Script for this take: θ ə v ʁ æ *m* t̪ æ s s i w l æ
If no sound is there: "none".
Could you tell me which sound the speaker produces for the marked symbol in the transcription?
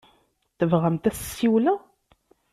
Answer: m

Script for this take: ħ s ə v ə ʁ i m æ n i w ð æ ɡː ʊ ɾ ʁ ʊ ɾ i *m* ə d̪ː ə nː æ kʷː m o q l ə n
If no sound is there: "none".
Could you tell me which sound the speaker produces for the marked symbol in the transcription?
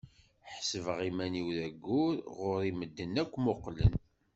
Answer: m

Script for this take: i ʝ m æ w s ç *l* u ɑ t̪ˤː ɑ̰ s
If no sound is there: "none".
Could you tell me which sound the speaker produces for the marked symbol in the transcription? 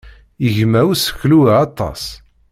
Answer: l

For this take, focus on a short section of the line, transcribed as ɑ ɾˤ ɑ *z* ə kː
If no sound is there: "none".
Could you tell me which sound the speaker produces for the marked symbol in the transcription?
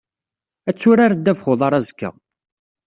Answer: z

